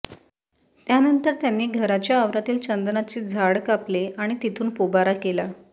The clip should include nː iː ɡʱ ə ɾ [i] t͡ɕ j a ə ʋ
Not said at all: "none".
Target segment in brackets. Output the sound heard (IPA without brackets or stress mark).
a